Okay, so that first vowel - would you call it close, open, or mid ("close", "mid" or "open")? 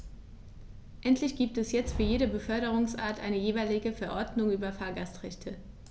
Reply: mid